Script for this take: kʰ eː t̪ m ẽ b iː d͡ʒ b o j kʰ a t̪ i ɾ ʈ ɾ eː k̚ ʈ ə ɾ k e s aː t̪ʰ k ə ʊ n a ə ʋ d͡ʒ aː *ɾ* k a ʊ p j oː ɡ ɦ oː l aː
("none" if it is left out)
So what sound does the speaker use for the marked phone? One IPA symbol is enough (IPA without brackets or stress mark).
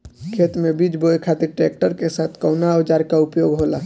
ɾ